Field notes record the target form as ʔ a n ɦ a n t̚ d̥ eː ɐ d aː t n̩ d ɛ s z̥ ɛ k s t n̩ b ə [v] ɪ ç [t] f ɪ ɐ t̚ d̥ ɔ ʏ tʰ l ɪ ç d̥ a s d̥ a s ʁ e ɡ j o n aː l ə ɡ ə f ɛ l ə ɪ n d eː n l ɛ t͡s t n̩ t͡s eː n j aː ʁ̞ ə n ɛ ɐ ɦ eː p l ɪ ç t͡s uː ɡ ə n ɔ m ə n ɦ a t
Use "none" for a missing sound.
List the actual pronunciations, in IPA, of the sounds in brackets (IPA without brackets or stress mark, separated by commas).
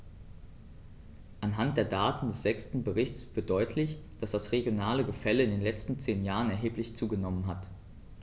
ʁ, t͡s